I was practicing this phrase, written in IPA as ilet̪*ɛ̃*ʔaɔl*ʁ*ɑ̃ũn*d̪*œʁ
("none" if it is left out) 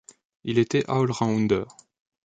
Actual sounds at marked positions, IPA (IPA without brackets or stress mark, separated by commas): ɛ, ʁ, d̪